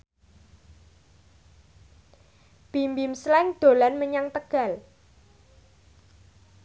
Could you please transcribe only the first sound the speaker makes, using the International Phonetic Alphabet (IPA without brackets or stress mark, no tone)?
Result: b̥